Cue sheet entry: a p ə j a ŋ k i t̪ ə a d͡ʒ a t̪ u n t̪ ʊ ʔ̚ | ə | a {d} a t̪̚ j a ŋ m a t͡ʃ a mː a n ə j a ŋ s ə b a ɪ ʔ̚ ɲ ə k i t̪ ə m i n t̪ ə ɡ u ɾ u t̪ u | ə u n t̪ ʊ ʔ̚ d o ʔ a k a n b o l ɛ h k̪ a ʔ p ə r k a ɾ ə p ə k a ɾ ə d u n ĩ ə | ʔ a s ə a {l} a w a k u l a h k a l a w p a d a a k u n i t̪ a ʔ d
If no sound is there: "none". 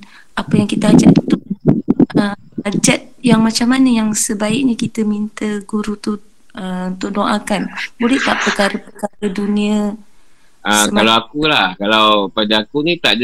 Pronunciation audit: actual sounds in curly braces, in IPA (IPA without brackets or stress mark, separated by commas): d͡ʒ, l